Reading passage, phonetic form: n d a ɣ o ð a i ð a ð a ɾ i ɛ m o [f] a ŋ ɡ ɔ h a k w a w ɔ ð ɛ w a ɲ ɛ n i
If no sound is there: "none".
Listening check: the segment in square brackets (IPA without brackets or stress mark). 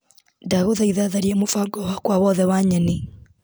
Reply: f